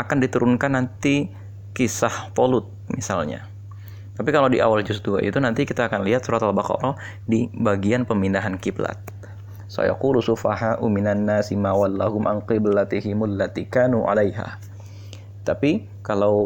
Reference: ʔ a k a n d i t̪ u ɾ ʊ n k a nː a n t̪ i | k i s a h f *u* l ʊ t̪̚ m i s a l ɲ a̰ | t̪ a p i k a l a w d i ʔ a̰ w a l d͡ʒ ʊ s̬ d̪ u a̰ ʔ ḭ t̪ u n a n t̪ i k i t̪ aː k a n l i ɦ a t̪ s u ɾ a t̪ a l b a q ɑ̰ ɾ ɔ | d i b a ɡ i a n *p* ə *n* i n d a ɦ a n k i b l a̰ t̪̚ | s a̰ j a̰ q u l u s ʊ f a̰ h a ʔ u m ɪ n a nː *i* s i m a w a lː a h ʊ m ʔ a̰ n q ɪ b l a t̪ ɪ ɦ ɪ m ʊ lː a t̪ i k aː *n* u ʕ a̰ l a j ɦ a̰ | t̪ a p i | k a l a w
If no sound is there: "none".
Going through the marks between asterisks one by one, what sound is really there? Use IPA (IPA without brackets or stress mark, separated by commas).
o, p, m, a, n